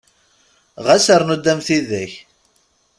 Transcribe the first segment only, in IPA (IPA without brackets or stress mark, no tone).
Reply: ʁ